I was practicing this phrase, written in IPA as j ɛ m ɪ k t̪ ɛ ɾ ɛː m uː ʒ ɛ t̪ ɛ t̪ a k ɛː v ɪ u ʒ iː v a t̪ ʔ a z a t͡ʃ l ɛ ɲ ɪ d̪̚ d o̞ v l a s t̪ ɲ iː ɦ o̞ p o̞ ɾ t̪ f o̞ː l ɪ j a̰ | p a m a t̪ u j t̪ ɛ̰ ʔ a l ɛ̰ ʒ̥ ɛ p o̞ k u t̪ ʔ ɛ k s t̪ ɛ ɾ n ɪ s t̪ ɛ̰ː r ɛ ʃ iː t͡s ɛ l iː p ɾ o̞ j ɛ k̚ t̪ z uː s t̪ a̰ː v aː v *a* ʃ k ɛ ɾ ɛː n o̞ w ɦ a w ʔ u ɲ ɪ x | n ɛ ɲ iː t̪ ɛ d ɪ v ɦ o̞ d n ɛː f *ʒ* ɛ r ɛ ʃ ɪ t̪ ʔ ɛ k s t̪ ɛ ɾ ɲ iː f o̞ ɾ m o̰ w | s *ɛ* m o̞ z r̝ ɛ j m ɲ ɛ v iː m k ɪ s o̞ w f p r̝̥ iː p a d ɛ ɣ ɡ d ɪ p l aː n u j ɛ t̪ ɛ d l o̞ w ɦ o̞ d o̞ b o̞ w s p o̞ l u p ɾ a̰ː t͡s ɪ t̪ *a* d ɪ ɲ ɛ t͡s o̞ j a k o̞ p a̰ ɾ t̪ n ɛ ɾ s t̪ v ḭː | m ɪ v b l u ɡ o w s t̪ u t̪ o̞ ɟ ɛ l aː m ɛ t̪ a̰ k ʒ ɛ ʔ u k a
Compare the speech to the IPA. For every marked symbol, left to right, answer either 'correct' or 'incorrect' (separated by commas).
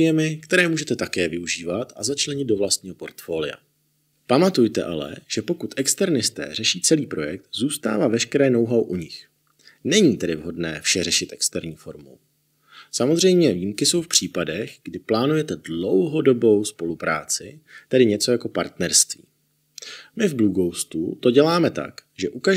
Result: incorrect, incorrect, incorrect, incorrect